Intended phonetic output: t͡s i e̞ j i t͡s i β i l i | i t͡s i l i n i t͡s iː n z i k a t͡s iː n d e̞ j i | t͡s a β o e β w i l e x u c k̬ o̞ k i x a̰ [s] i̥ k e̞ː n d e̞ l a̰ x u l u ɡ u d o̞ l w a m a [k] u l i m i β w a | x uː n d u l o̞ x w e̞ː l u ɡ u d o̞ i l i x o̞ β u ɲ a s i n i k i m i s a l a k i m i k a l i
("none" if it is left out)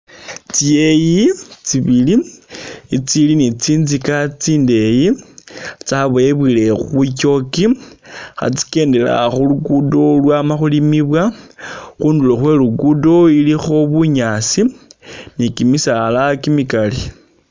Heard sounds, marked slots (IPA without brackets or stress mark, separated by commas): t͡s, x